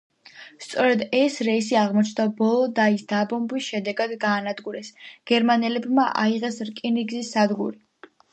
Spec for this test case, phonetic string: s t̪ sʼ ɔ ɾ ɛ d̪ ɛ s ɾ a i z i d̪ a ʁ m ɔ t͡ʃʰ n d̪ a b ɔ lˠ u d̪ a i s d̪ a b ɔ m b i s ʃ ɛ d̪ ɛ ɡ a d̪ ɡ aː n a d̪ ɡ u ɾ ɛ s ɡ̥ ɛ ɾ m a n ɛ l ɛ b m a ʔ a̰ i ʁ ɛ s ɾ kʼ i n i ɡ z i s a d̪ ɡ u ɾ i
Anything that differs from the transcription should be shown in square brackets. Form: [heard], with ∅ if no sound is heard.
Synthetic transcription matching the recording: s t̪ sʼ ɔ ɾ ɛ d̪ ɛ s ɾ [ɛ] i [s] i [∅] a ʁ m ɔ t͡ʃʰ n d̪ a b ɔ lˠ [ɔ] d̪ a i s d̪ a b ɔ m b i s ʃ ɛ d̪ ɛ ɡ a d̪ ɡ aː n a d̪ ɡ u ɾ ɛ s ɡ̥ ɛ ɾ m a n ɛ l ɛ b m a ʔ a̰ i ʁ ɛ s ɾ kʼ i n i ɡ z i s a d̪ ɡ u ɾ i